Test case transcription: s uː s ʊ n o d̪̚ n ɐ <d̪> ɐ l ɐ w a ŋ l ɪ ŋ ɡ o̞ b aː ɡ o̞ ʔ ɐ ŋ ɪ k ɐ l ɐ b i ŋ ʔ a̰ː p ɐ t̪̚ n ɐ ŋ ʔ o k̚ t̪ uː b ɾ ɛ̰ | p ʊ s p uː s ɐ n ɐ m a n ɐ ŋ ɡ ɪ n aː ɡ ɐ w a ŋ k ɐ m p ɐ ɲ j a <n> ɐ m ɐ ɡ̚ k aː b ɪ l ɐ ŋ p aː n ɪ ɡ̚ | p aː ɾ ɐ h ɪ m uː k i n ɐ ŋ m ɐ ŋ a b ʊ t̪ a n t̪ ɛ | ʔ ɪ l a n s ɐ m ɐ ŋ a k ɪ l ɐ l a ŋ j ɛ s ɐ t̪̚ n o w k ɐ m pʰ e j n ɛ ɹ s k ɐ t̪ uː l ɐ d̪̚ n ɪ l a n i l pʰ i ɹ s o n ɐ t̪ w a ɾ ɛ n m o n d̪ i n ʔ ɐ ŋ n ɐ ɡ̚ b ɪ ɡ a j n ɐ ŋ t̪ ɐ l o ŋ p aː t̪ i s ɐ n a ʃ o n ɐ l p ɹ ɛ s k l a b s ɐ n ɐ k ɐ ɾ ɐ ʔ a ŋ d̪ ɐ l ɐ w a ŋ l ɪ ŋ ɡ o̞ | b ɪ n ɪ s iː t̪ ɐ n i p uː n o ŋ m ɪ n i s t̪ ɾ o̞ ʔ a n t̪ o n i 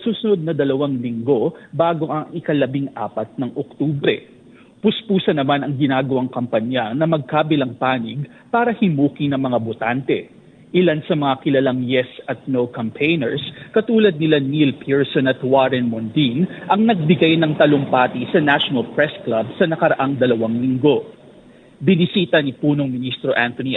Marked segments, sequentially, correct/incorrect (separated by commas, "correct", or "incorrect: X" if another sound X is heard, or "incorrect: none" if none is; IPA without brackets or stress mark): correct, correct